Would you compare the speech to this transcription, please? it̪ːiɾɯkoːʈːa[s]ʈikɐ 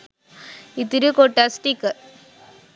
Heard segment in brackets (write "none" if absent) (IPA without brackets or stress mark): s